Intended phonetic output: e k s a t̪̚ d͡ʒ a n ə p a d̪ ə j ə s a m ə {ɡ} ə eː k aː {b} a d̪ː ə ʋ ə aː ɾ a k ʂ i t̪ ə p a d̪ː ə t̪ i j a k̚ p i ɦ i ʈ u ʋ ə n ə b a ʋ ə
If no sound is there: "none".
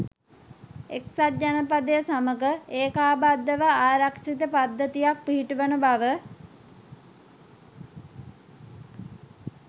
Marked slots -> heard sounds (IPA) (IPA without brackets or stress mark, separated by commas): ɡ, b